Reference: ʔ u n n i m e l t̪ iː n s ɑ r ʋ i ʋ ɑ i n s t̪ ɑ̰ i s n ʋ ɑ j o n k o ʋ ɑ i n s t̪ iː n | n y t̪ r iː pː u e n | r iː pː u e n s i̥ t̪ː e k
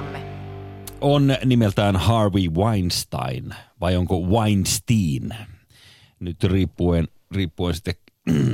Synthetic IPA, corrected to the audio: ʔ o n n i m e l t̪ æː n h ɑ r ʋ i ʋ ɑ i n s t̪ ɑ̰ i n ʋ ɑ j o ŋ k o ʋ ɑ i n s t̪ iː n | n y t̪ r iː pː u e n | r iː pː u e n s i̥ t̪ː e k